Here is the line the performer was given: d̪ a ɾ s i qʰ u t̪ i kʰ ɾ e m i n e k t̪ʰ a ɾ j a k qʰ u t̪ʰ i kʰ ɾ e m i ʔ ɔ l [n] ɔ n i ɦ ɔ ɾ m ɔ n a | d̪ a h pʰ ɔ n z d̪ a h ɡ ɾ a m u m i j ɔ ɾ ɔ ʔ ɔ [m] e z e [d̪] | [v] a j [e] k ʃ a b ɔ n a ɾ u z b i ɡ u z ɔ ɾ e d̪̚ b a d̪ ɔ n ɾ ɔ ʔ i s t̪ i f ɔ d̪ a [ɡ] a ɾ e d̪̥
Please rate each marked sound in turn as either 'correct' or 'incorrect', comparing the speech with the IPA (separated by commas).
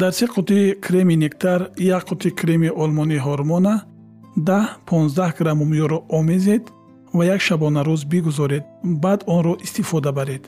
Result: incorrect, correct, correct, correct, incorrect, incorrect